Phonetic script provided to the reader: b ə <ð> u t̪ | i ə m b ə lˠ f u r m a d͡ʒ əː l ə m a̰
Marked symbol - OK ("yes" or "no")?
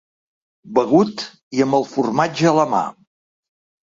no